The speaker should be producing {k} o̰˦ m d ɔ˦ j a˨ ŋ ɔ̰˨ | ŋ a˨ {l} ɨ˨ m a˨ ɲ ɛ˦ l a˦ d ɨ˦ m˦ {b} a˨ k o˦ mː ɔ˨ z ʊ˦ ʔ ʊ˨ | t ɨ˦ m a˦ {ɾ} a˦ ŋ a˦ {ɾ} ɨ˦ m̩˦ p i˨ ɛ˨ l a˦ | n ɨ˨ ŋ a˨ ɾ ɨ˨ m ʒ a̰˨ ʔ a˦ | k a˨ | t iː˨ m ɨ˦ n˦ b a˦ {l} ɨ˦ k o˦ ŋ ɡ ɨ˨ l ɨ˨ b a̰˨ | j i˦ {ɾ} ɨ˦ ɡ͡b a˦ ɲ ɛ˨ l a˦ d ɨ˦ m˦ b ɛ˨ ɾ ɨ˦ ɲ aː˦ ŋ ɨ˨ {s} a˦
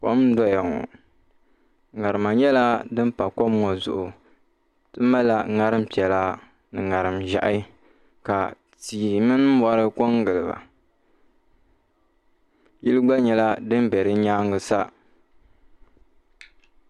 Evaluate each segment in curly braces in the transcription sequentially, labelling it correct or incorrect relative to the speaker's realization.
correct, incorrect: ɾ, incorrect: p, incorrect: l, correct, incorrect: ɾ, incorrect: l, correct

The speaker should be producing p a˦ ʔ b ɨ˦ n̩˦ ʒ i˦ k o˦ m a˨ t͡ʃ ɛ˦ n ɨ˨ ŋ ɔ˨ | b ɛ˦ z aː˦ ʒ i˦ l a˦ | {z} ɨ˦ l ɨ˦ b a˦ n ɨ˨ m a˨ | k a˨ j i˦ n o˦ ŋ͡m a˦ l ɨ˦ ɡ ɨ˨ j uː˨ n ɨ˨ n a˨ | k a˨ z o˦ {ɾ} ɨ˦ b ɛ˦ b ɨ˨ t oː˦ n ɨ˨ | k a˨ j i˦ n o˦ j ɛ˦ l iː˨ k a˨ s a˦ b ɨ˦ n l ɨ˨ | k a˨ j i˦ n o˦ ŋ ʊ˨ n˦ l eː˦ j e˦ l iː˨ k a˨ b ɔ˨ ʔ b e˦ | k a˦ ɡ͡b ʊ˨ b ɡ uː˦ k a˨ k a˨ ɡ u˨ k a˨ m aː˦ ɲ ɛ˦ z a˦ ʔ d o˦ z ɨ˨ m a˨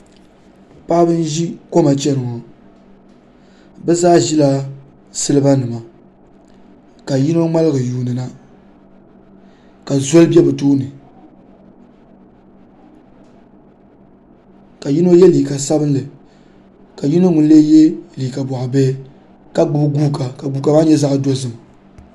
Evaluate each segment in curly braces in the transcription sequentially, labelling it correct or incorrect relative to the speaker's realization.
incorrect: s, incorrect: l

